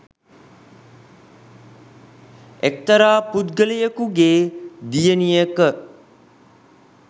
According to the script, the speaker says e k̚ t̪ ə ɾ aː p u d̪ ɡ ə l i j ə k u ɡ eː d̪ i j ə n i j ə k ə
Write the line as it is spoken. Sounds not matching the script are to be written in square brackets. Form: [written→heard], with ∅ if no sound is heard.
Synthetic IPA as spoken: e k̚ t̪ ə ɾ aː p u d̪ ɡ ə l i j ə k u ɡ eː d̪ i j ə n i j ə k ə